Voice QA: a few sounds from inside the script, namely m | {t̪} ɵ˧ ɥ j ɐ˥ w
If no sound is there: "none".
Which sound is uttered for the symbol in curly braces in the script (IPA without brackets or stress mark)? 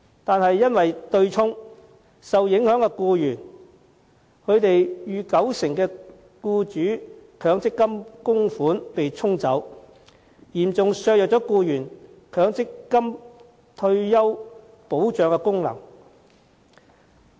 t̪ʰ